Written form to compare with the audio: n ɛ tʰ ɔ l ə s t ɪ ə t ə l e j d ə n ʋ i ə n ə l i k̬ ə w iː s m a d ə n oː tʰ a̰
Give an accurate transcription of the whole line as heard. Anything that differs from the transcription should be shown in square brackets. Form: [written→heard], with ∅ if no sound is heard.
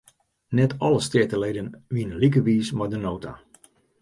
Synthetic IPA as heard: n ɛ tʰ ɔ l ə s t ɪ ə t ə l e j d ə n ʋ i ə n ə l i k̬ ə [w→ʋ] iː s m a d ə n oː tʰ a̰